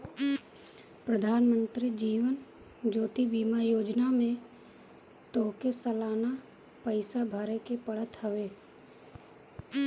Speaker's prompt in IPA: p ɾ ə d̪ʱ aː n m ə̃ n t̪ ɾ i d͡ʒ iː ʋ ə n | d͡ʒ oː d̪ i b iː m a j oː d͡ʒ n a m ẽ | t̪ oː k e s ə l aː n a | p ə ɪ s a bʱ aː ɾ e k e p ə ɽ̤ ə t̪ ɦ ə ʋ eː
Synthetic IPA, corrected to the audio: p ɾ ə d̪ʱ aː n m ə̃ n t̪ ɾ i d͡ʒ iː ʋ ə n | d͡ʒ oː t̪ i b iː m a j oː d͡ʒ n a m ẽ | t̪ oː k e s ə l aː n a | p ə ɪ s a bʱ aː ɾ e k e p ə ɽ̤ ə t̪ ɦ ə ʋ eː

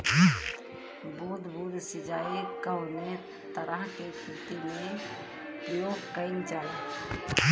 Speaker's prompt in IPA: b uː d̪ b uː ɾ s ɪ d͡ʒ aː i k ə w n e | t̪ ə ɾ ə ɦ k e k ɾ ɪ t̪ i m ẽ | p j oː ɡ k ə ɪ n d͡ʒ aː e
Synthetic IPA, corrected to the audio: b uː d̪ b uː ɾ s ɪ d͡ʒ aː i k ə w n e | t̪ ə ɾ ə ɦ k e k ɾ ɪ t̪ i m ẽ | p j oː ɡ k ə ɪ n d͡ʒ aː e

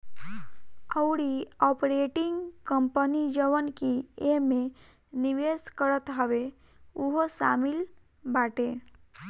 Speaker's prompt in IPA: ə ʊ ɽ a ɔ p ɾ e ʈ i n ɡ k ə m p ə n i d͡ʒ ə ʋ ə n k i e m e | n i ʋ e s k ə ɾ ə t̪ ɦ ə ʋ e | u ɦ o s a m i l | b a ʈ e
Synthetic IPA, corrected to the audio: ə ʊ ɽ i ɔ p ɾ e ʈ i ŋ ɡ k ə m p ə n i d͡ʒ ə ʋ ə n k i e m e | n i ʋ e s k ə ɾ ə t̪ ɦ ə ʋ e | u ɦ o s a m i l | b a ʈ e

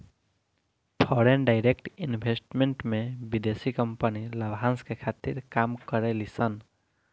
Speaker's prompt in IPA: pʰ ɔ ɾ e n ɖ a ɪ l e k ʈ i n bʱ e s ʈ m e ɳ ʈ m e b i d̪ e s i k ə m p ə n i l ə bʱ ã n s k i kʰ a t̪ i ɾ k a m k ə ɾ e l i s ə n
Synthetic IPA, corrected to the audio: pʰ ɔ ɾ e n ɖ a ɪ ɾ e k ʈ i n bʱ e s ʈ m e ɳ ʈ m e b i d̪ e s i k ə m p ə n i l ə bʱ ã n s k e kʰ a t̪ i ɾ k a m k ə ɾ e l i s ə n

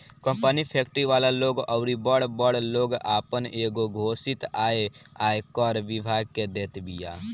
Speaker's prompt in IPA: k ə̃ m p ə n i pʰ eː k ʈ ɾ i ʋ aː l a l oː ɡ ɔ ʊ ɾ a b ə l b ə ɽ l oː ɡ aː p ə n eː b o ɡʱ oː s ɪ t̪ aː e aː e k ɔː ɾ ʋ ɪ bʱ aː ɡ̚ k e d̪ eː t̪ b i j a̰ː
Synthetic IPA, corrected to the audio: k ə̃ m p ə n i pʰ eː k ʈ ɾ i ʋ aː l a l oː ɡ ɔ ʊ ɾ i b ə ɽ b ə ɽ l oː ɡ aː p ə n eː ɡ o ɡʱ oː s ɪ t̪ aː e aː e k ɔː ɾ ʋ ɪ bʱ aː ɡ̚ k e d̪ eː t̪ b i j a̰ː

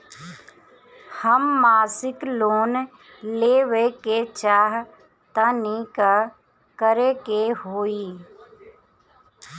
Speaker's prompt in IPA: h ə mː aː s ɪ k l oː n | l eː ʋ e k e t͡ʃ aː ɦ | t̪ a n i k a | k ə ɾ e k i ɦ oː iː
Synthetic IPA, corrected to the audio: h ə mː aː s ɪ k l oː n | l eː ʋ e k e t͡ʃ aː ɦ | t̪ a n i k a | k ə ɾ e k e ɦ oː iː

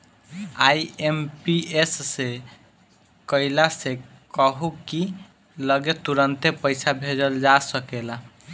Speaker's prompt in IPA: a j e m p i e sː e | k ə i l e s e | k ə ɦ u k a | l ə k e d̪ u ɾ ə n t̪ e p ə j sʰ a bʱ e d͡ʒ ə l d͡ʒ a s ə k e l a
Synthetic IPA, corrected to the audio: a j e m p i e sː e | k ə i l a s e | k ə ɦ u k i | l ə ɡ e t̪ u ɾ ə n t̪ e p ə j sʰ a bʱ e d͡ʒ ə l d͡ʒ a s ə k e l a

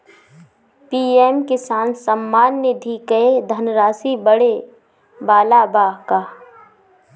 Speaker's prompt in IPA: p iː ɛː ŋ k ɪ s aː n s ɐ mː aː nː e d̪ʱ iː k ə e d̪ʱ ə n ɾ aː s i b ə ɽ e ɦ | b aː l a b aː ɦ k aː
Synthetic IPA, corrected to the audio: p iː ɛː m k ɪ s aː n s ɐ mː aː nː e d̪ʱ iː k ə e d̪ʱ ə n ɾ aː s i b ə ɽ e | b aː l a b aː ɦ k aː

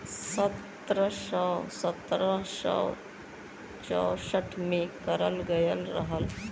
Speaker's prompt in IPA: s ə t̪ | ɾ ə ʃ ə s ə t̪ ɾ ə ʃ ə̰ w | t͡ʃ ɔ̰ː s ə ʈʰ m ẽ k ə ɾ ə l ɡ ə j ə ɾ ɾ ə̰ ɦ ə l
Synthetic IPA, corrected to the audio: s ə t̪ | ɾ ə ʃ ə s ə t̪ ɾ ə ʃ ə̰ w | t͡ʃ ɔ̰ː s ə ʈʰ m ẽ k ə ɾ ə l ɡ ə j ə l ɾ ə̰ ɦ ə l

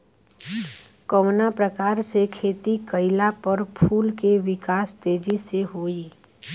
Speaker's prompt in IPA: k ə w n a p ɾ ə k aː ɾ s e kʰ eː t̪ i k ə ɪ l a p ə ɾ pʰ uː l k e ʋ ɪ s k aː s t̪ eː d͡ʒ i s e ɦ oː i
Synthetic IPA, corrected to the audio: k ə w n a p ɾ ə k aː ɾ s e kʰ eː t̪ i k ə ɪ l a p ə ɾ pʰ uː l k e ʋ ɪ k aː s t̪ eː d͡ʒ i s e ɦ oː i

